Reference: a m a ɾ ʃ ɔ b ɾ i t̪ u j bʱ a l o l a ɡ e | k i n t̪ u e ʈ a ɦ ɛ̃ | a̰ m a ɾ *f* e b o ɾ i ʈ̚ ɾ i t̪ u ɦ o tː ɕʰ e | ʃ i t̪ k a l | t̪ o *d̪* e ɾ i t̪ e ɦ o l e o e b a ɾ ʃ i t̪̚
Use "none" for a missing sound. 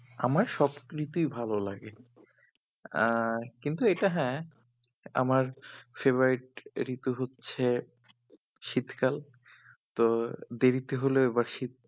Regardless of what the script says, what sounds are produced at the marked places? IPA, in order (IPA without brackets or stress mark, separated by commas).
f, d̪